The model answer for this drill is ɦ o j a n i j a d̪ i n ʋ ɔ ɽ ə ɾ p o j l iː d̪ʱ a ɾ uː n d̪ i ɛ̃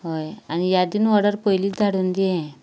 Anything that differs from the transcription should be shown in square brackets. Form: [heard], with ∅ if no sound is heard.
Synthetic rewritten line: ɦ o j a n i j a d̪ i n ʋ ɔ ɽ ə ɾ p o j l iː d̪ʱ a [ɽ] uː n d̪ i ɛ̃